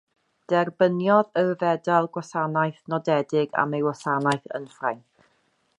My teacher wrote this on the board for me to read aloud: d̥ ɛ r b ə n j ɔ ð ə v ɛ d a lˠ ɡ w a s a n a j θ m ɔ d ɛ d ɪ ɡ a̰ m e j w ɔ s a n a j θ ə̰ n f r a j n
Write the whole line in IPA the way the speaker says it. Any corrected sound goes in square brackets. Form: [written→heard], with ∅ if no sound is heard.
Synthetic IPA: d̥ ɛ r b ə n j ɔ ð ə v ɛ d a lˠ ɡ w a s a n a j θ [m→n] ɔ d ɛ d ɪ ɡ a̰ m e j w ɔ s a n a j θ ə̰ n f r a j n